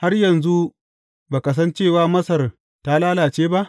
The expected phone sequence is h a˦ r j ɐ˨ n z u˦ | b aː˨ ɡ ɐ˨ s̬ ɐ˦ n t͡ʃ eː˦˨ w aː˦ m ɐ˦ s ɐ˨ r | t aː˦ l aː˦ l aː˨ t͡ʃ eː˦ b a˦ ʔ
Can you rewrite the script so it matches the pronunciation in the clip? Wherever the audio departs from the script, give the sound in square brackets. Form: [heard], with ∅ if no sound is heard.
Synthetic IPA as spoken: h a˦ r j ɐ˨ n z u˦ | b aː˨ [k] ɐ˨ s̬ ɐ˦ n t͡ʃ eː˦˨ w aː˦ m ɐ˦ s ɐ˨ r | t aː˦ l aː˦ l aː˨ t͡ʃ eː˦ b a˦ ʔ